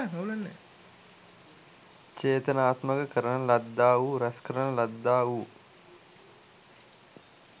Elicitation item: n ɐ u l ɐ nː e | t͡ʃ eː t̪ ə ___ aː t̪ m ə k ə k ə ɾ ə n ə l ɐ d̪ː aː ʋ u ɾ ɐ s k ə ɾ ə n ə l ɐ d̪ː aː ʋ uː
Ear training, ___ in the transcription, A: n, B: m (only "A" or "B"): A